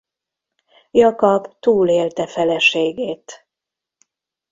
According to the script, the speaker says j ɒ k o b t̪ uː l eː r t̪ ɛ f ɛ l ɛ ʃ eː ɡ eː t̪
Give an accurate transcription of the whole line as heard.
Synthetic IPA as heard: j ɒ k ɒ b t̪ uː l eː l t̪ ɛ f ɛ l ɛ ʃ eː ɡ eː t̪